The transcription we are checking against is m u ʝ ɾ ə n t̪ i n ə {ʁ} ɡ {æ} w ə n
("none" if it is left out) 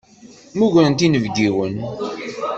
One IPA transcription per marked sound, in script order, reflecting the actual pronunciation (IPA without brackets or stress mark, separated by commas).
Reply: v, i